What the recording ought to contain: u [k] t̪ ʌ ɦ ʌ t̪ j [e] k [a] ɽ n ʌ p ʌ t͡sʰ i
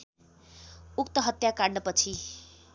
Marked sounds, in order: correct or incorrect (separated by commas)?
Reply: correct, incorrect, correct